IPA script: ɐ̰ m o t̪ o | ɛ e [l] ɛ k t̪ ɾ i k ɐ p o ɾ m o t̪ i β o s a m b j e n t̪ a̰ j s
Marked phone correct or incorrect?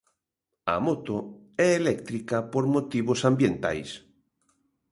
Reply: correct